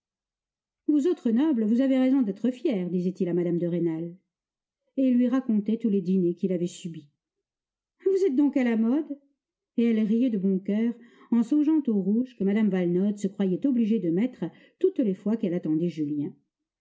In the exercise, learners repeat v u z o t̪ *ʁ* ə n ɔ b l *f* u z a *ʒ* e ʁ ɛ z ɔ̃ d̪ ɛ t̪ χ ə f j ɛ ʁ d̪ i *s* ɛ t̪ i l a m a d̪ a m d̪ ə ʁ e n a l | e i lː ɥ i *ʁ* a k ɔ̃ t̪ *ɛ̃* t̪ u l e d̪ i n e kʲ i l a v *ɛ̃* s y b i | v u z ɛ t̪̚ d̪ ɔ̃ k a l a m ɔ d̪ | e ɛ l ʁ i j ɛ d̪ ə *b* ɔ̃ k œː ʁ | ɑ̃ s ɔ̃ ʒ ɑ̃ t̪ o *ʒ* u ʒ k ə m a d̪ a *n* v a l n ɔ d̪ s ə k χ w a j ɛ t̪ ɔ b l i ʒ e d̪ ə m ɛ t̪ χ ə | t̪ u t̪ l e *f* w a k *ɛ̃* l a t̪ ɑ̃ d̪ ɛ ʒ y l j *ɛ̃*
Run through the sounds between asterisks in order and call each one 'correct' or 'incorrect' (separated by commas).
incorrect, incorrect, incorrect, incorrect, correct, incorrect, incorrect, correct, incorrect, incorrect, correct, incorrect, correct